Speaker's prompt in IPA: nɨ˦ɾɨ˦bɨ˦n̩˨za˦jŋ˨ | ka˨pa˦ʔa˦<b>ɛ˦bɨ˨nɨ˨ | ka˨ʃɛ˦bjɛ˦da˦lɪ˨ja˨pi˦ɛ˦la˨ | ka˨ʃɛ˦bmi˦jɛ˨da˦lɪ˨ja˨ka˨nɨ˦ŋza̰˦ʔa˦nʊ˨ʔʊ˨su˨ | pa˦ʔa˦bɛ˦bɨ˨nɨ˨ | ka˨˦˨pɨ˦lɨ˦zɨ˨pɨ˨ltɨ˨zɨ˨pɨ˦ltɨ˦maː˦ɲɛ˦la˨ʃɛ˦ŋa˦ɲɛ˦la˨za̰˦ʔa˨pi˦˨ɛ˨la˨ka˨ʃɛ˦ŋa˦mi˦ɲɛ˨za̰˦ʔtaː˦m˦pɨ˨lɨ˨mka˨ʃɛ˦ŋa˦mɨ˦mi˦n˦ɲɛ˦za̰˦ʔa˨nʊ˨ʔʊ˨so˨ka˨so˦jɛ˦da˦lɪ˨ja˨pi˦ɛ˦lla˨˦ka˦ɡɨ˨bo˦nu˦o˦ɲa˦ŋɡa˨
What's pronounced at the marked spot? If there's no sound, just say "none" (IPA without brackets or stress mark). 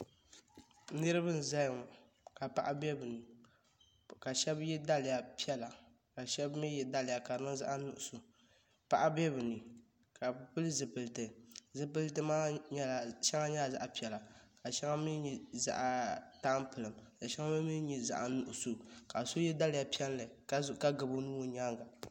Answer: b